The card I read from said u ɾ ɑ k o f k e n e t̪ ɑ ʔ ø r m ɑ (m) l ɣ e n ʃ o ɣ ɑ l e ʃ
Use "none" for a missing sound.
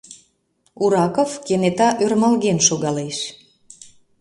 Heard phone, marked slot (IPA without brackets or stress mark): none